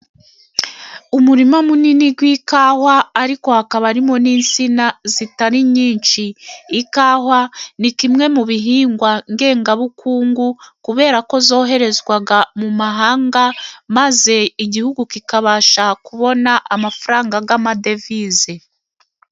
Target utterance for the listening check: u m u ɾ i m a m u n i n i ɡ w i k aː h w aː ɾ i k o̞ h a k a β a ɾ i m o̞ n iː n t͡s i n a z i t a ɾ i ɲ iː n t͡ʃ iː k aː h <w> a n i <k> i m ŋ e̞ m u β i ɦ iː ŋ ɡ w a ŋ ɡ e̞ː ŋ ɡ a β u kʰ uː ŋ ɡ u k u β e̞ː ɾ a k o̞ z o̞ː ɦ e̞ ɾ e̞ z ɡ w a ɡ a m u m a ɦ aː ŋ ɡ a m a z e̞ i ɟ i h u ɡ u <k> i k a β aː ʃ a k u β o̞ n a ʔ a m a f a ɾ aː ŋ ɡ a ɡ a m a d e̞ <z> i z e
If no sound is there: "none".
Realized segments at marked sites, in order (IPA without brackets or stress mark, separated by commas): w, k, k, v